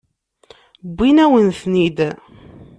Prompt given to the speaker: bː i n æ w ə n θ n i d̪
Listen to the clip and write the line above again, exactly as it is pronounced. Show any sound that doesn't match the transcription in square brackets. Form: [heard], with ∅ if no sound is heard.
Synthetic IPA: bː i n æ w ə n θ n i d̪